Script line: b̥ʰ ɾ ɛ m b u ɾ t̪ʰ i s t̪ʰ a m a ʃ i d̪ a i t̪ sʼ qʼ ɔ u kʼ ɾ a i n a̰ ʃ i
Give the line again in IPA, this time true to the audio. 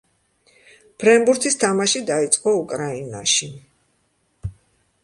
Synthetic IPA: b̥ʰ ɾ ɛ m b u ɾ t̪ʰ i s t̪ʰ a m a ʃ i d̪ a i t̪ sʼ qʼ ɔ u kʼ ɾ a i n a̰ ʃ i